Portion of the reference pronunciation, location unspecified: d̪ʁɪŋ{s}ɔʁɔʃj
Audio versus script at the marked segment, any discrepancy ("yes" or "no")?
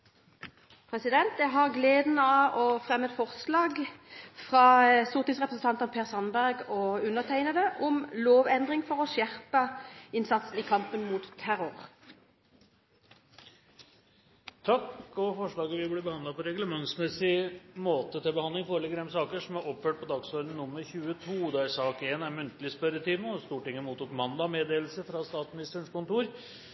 yes